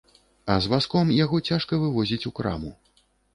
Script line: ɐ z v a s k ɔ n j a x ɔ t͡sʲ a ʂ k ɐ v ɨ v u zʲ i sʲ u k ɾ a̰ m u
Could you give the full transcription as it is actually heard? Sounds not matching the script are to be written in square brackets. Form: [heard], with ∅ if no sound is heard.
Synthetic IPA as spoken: ɐ z v a s k ɔ [m] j a [ɣ] ɔ t͡sʲ a ʂ k ɐ v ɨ v [ɔ] zʲ i [t͡sʲ] u k ɾ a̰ m u